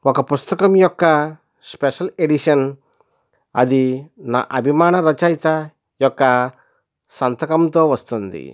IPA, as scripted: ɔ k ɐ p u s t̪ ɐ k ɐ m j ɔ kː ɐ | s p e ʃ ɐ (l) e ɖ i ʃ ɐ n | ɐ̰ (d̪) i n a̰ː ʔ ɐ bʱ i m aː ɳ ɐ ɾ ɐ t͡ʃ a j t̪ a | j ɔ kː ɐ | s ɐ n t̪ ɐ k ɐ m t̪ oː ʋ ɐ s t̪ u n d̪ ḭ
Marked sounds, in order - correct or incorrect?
correct, correct

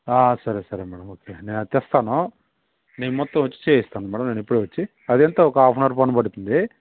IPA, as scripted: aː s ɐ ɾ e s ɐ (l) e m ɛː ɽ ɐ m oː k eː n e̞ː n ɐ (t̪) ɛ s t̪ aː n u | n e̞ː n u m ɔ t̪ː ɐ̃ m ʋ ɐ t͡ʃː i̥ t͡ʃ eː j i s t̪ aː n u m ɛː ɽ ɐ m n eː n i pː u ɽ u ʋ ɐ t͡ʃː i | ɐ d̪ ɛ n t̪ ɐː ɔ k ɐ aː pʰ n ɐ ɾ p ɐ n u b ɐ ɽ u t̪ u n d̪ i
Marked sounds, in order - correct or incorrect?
incorrect: ɾ, correct

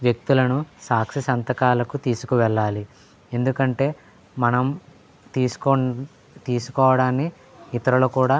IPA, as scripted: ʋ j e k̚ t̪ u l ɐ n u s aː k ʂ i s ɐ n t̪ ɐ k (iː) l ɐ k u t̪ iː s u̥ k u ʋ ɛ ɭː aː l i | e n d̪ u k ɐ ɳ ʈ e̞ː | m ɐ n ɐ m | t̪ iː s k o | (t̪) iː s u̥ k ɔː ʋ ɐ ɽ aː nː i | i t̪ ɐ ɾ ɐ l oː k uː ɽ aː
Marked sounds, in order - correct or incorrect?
incorrect: aː, correct

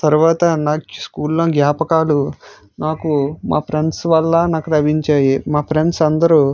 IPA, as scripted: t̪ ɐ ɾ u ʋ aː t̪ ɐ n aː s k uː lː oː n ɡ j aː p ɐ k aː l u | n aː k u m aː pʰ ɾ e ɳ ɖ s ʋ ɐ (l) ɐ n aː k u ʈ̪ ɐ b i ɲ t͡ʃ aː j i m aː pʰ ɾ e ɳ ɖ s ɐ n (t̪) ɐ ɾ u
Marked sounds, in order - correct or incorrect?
incorrect: lː, incorrect: d̪

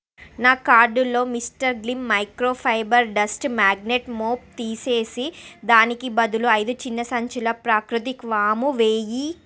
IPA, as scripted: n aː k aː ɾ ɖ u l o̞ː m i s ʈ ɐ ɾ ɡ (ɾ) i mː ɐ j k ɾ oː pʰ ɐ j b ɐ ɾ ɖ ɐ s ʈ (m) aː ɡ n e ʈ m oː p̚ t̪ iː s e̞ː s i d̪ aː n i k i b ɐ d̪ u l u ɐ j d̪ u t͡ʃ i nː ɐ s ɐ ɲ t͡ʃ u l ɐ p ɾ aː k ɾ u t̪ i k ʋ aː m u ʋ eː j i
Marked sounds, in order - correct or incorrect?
incorrect: l, correct

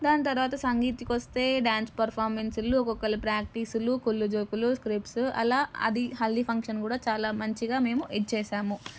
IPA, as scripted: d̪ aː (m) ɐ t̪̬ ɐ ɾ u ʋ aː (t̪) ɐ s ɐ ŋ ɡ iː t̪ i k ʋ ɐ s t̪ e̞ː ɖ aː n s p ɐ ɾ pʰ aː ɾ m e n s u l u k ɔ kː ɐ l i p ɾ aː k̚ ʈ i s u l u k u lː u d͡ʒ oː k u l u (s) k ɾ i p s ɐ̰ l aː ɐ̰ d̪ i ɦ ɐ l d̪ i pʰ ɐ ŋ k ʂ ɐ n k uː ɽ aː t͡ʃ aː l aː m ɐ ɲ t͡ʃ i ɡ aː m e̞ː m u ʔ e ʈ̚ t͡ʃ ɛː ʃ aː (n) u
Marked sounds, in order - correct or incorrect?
incorrect: n, correct, correct, incorrect: m

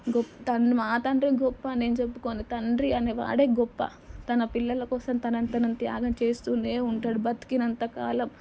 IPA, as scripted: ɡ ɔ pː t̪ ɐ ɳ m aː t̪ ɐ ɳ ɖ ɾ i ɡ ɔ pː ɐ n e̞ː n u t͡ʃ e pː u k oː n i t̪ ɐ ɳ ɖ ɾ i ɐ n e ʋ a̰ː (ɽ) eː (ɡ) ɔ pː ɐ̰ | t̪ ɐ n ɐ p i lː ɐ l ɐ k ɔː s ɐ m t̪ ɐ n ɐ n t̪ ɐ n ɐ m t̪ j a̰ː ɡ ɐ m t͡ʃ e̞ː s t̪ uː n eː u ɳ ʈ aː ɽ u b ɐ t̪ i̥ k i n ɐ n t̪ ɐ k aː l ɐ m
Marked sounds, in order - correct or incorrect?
correct, correct

